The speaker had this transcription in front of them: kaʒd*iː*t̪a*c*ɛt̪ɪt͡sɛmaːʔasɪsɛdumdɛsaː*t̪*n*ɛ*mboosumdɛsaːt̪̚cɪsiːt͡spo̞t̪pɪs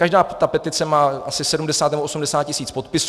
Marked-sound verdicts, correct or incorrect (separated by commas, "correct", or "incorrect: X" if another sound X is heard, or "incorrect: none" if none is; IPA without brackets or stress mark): incorrect: aː, incorrect: p, correct, correct